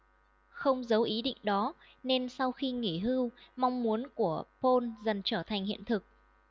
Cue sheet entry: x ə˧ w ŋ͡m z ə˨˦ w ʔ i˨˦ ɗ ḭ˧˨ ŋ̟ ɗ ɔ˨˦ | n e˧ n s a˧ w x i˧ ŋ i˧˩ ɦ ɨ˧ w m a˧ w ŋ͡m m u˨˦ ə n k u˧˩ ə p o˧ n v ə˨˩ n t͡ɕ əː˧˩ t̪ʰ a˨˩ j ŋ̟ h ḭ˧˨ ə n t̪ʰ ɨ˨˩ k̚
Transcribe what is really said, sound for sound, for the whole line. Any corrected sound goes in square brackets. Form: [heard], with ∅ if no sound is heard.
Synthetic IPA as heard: x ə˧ w ŋ͡m z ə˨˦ w ʔ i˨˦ ɗ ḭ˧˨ ŋ̟ ɗ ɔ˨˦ | n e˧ n s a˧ w x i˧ ŋ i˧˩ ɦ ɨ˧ w m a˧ w ŋ͡m m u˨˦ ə n k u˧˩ ə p o˧ n [z] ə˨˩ n t͡ɕ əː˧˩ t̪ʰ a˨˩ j ŋ̟ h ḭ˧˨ ə n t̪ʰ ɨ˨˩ k̚